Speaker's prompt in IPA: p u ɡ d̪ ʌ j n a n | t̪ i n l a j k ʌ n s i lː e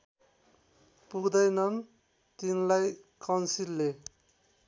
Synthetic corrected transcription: p u ɡ d̪ ʌ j n ʌ n | t̪ i n l a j k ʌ n s i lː e